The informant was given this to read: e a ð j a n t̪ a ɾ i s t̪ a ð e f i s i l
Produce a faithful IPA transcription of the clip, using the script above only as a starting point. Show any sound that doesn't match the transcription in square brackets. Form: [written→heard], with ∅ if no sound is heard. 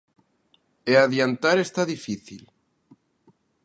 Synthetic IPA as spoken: e a ð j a n t̪ a ɾ [i→e] s t̪ a ð [e→i] f i [s→θ] i l